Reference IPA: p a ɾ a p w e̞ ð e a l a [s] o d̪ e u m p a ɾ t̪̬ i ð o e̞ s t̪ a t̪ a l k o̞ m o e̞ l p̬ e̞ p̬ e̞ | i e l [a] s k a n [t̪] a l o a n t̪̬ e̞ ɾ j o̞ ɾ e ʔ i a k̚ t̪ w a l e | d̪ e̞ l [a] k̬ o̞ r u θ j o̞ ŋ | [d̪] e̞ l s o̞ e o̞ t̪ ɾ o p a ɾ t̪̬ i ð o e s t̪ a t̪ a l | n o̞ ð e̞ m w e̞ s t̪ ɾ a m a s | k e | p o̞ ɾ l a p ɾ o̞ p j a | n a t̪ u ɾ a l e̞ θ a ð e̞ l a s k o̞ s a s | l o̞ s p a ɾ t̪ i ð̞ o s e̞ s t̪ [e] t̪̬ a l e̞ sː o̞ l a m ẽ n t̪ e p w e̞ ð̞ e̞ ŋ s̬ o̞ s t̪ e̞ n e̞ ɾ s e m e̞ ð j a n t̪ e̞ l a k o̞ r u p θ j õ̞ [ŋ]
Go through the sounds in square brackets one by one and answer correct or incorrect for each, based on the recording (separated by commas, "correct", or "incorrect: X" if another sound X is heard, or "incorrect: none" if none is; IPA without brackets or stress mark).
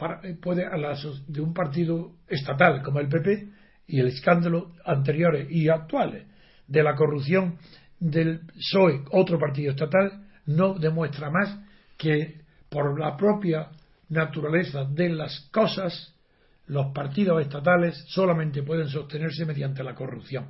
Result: correct, incorrect: e, incorrect: d̪, correct, correct, incorrect: a, correct